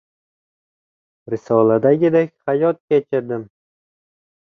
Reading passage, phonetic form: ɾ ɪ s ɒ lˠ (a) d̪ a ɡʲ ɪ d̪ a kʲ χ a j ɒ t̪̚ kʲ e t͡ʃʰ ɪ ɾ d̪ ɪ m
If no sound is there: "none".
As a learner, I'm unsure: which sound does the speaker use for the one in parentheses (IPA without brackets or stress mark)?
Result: a